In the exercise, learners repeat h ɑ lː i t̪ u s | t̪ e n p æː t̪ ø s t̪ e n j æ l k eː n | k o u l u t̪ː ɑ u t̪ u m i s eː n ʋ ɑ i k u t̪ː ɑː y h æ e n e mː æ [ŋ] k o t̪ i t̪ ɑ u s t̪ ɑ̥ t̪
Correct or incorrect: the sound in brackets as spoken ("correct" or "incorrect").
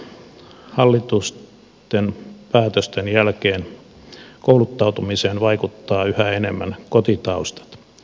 incorrect